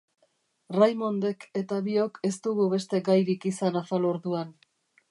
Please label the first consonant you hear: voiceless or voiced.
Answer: voiced